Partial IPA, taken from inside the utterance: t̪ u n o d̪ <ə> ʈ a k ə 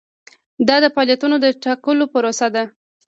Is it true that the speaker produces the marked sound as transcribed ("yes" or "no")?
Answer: yes